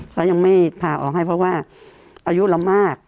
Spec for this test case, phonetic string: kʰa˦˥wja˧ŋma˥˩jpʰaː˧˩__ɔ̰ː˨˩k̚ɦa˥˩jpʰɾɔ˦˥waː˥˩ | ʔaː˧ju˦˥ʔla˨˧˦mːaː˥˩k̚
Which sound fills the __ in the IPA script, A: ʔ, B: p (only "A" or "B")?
A